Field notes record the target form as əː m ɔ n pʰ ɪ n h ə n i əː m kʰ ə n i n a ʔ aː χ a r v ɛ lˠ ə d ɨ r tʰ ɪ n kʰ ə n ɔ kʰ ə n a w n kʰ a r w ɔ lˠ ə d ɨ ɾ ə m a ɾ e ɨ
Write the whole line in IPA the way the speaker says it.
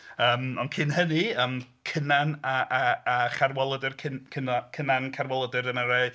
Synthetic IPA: əː m ɔ n kʰ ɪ n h ə n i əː m kʰ ə n a n a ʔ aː χ a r w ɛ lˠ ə d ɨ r kʰ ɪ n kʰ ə n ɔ kʰ ə n a n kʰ a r w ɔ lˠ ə d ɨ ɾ ə m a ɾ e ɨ